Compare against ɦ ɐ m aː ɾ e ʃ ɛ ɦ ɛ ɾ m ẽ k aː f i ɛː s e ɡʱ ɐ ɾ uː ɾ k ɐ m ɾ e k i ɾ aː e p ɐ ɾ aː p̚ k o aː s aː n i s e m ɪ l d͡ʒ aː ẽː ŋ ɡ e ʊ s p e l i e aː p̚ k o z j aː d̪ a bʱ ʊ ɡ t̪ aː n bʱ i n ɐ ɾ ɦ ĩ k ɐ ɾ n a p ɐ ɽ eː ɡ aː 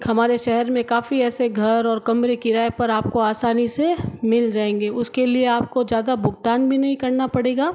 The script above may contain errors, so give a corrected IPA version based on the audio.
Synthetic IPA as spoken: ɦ ɐ m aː ɾ e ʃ ɛ ɦ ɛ ɾ m ẽ k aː f i ɛː s e ɡʱ ɐ ɾ ɔː ɾ k ɐ m ɾ e k i ɾ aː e p ɐ ɾ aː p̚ k o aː s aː n i s e m ɪ l d͡ʒ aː ẽː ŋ ɡ e ʊ s k e l i e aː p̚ k o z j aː d̪ a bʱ ʊ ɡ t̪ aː n bʱ i n ɐ ɦ ĩ k ɐ ɾ n a p ɐ ɽ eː ɡ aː